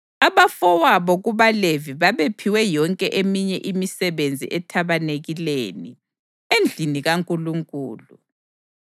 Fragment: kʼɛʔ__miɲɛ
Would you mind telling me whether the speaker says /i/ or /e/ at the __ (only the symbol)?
e